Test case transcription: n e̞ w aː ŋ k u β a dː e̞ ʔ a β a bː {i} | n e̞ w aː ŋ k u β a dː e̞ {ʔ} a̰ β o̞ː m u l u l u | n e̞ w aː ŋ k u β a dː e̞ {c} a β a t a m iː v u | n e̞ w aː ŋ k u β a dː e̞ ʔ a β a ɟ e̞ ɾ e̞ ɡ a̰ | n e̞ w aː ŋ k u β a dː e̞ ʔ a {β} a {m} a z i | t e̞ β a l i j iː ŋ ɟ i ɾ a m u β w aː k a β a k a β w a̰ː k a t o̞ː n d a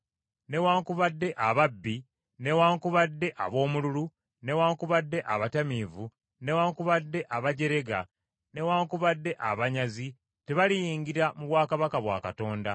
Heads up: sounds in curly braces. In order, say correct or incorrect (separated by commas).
correct, correct, incorrect, correct, incorrect